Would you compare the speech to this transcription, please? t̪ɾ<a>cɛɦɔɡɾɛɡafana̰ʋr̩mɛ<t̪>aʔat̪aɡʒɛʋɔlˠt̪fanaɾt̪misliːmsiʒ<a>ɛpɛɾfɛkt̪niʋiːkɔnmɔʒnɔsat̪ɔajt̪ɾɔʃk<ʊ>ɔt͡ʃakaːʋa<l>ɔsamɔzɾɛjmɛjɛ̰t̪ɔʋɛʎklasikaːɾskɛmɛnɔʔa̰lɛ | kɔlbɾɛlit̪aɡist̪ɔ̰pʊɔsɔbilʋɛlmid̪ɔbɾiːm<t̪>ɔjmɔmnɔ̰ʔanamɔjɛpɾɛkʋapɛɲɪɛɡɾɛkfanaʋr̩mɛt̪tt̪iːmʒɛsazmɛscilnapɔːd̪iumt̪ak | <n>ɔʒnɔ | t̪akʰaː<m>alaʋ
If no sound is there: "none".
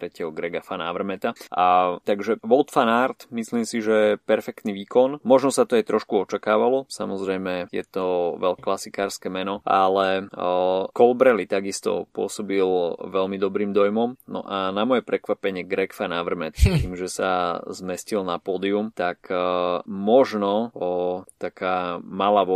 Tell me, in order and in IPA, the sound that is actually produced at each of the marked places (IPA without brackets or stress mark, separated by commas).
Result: ɛ, t̪, ɛ, u, l, d̪, m, m